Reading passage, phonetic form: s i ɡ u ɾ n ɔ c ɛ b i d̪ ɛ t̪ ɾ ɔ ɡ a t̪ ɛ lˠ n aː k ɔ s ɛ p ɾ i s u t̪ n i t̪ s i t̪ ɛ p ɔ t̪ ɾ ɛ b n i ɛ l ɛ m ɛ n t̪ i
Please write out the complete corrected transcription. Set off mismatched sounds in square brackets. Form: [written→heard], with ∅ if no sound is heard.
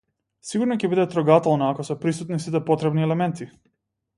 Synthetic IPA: s i ɡ u ɾ n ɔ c ɛ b i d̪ ɛ t̪ ɾ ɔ ɡ a t̪ ɛ lˠ n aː k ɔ s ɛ p ɾ i s u t̪ n i [t̪→∅] s i t̪ ɛ p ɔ t̪ ɾ ɛ b n i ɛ l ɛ m ɛ n t̪ i